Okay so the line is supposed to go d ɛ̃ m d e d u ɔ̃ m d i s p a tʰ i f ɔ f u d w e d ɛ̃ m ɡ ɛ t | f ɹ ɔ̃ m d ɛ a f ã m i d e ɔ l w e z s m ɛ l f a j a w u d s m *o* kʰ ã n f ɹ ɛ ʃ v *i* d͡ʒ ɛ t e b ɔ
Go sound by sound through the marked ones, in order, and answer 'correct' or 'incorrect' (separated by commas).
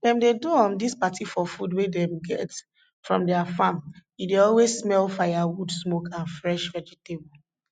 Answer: correct, incorrect